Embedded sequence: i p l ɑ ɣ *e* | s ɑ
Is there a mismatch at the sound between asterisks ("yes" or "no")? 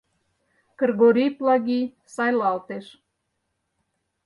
yes